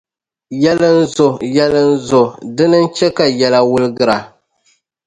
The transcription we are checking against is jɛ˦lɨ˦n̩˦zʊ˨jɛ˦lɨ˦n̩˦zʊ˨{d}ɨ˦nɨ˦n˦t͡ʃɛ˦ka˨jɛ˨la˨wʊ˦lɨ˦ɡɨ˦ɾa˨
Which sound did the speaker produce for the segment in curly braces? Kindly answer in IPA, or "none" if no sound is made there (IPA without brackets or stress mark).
d